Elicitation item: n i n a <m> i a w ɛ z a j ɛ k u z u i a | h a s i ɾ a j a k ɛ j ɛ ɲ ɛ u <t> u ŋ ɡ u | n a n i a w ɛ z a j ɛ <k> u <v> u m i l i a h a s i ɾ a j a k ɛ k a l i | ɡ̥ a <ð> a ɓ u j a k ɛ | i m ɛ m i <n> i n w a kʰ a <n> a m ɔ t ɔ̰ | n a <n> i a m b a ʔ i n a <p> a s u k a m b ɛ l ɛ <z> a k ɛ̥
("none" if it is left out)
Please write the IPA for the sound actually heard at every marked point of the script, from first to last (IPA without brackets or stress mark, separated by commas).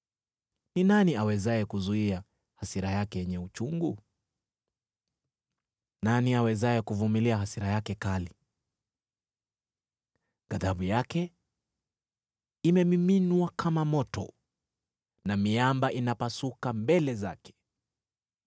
n, t͡ʃ, k, v, ð, m, m, m, p, z